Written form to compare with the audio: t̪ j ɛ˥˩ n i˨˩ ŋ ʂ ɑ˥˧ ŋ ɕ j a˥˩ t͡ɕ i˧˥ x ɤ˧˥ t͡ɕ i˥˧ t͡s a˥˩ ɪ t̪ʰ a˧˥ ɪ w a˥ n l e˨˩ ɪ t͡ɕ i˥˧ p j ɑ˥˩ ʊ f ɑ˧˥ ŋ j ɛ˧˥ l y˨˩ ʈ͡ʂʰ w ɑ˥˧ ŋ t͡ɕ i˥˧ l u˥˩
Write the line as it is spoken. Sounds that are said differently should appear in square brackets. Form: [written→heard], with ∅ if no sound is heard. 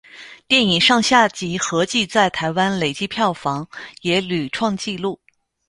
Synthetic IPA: t̪ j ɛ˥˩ n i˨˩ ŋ ʂ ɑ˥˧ ŋ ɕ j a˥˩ t͡ɕ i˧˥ x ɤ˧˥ t͡ɕ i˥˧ t͡s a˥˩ ɪ t̪ʰ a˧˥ ɪ w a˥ n l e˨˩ ɪ t͡ɕ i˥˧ [p→pʰ] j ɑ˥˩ ʊ f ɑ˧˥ ŋ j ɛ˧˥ l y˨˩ ʈ͡ʂʰ w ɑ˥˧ ŋ t͡ɕ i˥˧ l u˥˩